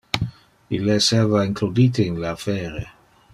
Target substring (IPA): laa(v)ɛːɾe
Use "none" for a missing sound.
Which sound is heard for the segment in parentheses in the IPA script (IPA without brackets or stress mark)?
f